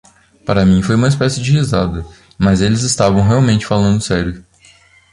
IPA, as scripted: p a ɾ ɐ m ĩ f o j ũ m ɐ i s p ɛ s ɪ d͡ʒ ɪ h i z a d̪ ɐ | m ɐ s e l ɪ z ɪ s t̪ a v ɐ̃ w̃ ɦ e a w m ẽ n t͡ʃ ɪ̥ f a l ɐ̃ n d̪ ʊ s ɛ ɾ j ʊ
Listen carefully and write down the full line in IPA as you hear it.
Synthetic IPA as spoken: p a ɾ ɐ m ĩ f o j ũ m ɐ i s p ɛ s ɪ d͡ʒ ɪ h i z a d̪ ɐ | m ɐ z e l ɪ z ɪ s t̪ a v ɐ̃ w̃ ɦ e a w m ẽ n t͡ʃ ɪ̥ f a l ɐ̃ n d̪ ʊ s ɛ ɾ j ʊ